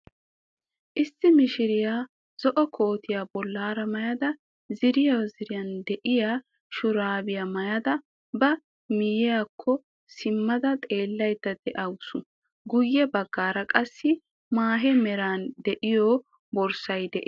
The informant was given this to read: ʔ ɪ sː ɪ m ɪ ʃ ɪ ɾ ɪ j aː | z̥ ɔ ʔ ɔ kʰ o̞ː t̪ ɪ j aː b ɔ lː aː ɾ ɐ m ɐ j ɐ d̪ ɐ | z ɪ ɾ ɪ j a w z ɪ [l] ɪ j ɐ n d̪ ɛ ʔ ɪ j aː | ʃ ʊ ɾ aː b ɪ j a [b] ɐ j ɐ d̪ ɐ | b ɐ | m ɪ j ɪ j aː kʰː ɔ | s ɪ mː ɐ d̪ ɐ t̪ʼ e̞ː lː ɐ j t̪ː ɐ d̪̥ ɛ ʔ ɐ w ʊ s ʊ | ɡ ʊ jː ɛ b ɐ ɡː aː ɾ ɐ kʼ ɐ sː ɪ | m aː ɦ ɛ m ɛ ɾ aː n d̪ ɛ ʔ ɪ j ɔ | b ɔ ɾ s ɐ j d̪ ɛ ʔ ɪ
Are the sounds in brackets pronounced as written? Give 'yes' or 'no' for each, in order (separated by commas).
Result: no, no